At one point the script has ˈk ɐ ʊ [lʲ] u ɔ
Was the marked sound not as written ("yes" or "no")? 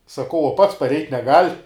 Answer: yes